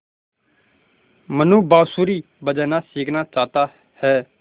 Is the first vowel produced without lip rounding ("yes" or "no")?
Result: yes